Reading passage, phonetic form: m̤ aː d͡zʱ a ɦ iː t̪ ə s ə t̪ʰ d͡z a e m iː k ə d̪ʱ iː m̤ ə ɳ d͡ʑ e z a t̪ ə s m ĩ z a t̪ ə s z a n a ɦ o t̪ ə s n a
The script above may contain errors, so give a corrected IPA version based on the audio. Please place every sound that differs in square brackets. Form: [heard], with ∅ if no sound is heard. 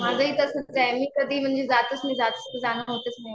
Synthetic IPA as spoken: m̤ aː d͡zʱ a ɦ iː t̪ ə s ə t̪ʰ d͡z a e m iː k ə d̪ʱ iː m̤ ə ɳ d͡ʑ e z a t̪ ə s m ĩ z a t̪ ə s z a n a ɦ o t̪ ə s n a